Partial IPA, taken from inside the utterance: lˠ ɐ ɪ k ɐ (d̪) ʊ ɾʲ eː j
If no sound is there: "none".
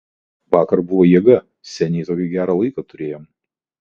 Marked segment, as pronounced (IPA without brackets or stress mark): t̪